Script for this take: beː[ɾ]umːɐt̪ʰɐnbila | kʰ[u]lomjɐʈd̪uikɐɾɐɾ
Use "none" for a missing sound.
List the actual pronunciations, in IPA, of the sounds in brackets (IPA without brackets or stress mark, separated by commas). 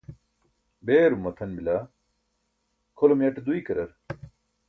ɾ, o